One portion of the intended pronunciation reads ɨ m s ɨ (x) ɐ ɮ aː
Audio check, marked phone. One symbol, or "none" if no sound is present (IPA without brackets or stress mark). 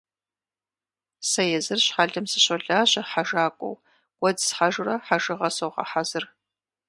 ɕ